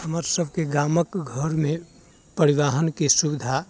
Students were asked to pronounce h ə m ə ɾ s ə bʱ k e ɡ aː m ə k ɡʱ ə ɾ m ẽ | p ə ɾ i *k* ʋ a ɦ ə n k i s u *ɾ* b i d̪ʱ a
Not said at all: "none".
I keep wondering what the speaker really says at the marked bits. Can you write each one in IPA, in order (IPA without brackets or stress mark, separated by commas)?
none, none